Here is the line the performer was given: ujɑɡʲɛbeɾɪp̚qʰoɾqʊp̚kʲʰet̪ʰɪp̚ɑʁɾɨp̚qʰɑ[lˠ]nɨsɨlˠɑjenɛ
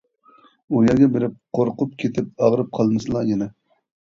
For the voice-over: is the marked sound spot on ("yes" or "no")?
yes